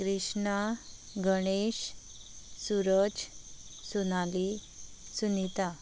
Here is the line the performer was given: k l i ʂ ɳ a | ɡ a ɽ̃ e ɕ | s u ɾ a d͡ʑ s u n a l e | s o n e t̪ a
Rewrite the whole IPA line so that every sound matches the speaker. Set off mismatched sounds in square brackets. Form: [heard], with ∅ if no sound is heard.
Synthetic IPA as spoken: k [ɾ] i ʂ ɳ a | ɡ [ə] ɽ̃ e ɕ | s u ɾ [ə] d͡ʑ s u n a l [i] | s [u] n [i] t̪ a